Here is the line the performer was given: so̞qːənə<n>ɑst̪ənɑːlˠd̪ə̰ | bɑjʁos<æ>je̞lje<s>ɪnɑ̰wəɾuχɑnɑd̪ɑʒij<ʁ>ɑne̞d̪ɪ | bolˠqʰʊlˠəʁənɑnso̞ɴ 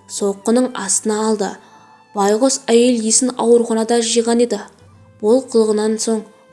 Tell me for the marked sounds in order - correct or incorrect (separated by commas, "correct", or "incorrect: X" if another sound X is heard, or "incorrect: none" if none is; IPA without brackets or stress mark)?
incorrect: ɴ, correct, correct, correct